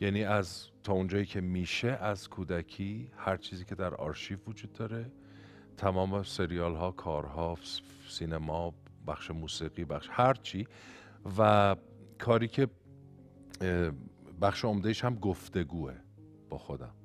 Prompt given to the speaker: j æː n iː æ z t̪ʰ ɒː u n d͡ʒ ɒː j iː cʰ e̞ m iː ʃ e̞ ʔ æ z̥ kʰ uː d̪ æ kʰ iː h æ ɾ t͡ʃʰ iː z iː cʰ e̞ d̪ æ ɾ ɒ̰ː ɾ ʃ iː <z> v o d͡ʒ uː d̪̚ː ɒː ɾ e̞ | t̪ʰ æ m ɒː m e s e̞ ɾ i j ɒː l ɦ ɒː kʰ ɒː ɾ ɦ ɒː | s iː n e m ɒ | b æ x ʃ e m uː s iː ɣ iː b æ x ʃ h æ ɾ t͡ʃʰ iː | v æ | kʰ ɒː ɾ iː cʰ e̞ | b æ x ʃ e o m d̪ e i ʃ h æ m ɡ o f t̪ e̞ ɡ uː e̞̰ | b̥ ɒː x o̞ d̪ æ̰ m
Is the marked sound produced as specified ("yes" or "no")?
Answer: no